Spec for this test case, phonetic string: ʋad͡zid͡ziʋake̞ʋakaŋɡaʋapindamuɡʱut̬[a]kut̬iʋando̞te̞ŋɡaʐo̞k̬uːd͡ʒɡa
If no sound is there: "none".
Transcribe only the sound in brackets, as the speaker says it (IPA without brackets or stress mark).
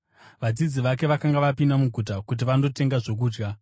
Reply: a